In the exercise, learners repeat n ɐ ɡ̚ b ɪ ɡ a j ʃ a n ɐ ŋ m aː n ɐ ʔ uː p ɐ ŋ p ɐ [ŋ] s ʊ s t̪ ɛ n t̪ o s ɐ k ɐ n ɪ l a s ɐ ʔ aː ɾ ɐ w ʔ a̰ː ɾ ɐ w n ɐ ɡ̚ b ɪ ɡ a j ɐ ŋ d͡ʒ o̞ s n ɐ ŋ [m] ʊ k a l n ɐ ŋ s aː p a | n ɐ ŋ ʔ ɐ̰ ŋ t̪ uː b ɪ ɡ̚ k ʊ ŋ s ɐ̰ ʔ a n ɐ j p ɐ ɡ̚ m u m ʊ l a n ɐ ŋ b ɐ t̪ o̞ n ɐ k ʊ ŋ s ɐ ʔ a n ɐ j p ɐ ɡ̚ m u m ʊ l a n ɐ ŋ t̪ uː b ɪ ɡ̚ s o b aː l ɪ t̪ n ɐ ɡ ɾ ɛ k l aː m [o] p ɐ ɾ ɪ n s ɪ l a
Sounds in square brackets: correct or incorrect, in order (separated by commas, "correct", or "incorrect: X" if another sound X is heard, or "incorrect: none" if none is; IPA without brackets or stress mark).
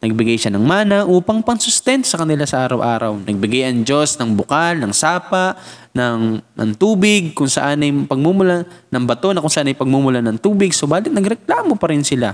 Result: correct, incorrect: b, correct